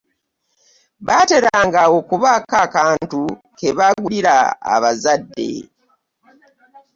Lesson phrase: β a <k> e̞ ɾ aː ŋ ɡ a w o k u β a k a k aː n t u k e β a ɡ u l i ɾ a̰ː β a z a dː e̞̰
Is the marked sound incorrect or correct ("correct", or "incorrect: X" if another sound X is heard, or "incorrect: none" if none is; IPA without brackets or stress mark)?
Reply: incorrect: t